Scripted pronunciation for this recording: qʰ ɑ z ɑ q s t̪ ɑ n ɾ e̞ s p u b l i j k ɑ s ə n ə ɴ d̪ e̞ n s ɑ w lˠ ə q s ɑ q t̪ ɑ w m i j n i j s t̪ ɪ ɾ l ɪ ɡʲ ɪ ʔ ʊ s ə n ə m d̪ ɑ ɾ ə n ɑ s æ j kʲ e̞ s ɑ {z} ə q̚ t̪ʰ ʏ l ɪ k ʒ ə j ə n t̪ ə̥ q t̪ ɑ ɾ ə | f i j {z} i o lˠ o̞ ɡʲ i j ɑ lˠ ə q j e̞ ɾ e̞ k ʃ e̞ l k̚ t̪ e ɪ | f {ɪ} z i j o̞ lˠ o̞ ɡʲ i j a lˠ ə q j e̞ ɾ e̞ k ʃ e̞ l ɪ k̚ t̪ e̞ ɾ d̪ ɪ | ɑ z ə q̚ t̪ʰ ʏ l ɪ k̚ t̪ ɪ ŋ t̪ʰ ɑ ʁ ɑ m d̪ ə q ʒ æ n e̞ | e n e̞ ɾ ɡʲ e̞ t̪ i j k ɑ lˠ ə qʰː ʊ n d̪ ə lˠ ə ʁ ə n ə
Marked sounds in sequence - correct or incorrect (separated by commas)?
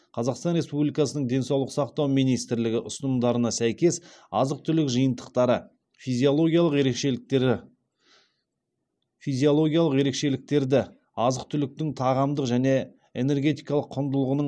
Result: correct, correct, incorrect